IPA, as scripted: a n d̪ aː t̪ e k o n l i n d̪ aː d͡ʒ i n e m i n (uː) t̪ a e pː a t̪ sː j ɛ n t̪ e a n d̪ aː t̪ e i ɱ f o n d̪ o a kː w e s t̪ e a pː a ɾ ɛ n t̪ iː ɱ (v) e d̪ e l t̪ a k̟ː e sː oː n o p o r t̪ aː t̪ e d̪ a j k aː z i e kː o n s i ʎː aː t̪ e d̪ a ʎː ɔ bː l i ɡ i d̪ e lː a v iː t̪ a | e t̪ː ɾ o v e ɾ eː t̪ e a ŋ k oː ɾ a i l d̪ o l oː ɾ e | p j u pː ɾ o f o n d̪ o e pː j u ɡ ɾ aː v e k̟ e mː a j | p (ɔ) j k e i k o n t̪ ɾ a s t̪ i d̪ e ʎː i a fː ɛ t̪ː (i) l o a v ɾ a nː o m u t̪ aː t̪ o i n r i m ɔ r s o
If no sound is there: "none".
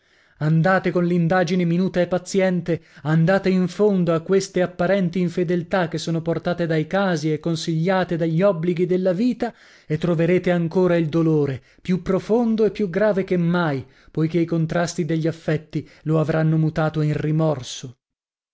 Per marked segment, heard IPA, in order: uː, f, o, i

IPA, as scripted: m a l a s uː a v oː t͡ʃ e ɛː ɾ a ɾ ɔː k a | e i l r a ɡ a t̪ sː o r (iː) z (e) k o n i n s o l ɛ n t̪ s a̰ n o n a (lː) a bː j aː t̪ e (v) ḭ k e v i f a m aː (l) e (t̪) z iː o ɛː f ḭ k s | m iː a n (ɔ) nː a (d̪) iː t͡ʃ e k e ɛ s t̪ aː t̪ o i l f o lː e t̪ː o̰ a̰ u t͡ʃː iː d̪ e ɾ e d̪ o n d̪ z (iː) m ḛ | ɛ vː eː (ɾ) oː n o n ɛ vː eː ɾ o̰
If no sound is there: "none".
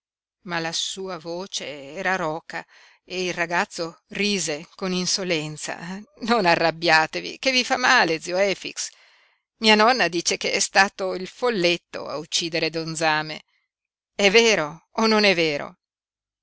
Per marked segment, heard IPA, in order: iː, e, rː, v, l, d̪, ɔ, d̪, aː, ɾ

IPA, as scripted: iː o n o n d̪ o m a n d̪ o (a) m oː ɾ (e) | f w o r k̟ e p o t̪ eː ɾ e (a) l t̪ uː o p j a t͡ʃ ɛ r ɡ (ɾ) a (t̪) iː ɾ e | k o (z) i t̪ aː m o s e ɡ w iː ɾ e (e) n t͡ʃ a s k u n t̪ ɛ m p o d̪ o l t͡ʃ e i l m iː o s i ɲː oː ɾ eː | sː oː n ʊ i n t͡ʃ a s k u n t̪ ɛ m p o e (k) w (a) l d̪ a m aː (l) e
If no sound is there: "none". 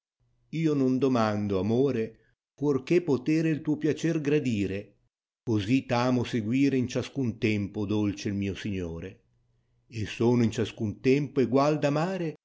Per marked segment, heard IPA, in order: a, e, i, ɾ, d̪, z, i, ɡ, a, ɾ

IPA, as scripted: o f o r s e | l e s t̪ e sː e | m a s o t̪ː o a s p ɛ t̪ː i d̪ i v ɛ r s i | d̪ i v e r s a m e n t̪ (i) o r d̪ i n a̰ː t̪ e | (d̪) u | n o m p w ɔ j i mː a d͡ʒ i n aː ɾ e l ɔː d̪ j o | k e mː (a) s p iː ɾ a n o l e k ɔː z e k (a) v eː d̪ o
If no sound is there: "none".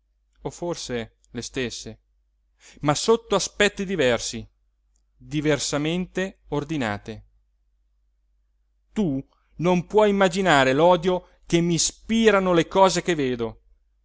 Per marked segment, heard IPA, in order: e, t̪, i, e

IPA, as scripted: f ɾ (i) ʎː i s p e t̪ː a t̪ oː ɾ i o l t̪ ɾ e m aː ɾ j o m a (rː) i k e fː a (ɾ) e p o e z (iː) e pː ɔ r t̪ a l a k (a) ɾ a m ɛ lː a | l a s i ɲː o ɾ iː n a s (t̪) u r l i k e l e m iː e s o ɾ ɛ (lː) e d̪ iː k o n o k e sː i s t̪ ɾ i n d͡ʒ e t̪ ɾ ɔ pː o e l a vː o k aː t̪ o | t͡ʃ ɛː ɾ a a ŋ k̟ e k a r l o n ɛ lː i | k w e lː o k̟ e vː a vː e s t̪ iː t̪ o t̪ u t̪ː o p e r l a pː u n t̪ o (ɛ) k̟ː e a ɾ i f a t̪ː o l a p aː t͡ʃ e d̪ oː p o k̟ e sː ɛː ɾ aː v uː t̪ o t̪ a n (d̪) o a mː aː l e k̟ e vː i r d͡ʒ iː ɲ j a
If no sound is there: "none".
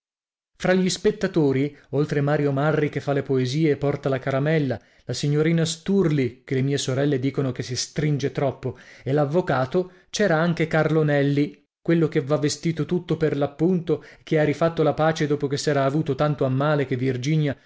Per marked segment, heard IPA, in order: a, rː, l, iː, a, t̪, lː, e, t̪

